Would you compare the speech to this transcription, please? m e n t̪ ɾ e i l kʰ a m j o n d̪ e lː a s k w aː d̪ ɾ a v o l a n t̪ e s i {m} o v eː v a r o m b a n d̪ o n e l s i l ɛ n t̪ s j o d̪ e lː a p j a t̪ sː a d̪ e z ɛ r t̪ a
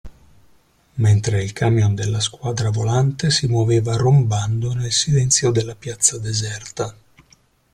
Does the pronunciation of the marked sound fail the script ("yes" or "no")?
no